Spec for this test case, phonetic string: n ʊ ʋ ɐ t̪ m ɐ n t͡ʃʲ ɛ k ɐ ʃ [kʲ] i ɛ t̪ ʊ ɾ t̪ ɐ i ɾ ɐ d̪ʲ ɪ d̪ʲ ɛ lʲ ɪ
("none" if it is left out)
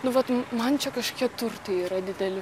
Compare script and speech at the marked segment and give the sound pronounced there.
kʲ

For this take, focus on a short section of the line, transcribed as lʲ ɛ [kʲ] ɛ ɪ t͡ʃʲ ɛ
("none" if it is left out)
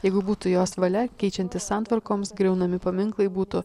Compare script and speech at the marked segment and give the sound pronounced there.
kʲ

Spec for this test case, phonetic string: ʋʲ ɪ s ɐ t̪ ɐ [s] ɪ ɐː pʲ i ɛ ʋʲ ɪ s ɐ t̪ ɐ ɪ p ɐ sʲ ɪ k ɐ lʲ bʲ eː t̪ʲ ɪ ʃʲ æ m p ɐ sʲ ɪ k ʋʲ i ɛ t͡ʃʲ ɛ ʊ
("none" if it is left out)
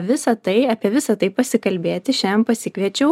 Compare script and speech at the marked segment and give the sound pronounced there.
none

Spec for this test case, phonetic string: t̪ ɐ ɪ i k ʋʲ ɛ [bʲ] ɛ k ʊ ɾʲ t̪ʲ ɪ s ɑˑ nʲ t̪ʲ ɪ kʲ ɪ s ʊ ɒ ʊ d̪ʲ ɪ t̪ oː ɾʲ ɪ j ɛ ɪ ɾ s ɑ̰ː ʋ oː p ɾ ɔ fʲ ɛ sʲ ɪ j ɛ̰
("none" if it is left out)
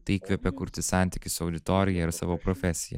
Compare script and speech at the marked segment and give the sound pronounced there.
pʲ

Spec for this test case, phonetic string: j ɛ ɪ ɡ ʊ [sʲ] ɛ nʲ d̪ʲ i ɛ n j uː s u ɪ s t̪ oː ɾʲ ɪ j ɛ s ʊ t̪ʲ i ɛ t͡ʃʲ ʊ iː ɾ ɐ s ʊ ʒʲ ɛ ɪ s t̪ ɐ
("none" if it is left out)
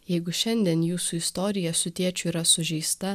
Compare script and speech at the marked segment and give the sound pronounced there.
ʃʲ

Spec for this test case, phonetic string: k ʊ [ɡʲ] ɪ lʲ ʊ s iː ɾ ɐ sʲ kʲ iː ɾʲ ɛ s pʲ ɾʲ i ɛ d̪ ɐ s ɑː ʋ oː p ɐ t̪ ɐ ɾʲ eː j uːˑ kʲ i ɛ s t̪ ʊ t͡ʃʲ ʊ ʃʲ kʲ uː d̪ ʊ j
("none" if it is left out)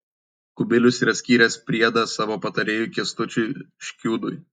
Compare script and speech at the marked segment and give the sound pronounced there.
bʲ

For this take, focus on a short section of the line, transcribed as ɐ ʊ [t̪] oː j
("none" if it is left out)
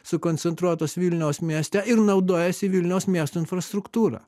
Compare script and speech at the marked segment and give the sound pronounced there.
d̪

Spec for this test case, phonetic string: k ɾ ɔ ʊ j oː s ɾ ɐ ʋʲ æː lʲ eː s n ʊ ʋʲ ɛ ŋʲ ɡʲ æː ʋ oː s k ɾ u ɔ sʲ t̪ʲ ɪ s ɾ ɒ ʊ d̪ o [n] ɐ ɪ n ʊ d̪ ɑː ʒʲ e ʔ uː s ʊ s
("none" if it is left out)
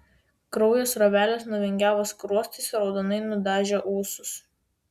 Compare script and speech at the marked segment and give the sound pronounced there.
n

